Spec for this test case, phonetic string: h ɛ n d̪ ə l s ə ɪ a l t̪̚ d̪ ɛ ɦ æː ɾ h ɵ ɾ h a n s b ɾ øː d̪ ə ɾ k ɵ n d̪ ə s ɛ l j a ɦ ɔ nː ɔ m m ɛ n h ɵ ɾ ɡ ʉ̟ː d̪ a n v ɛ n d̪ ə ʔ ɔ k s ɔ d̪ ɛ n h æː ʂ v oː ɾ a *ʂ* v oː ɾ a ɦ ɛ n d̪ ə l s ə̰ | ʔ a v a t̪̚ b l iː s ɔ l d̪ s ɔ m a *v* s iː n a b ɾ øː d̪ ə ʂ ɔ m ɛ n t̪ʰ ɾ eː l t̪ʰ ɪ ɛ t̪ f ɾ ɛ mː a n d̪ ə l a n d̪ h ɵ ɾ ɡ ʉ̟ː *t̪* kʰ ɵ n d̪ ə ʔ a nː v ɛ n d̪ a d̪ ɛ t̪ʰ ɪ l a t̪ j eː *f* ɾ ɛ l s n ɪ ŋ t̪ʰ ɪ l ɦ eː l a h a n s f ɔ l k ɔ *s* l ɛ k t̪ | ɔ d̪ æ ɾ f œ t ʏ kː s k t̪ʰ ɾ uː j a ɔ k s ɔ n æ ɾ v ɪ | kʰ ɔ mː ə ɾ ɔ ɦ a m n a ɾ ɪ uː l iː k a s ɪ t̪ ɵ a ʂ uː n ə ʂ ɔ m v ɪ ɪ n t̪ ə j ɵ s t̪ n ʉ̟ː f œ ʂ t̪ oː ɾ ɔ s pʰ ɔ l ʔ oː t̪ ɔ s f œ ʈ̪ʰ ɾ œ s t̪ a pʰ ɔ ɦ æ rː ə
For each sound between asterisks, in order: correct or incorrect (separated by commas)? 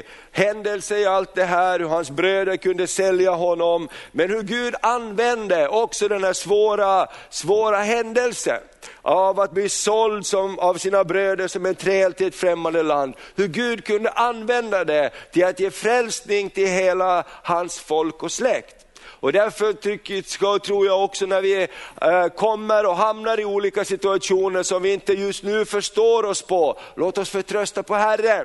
incorrect, correct, incorrect, correct, correct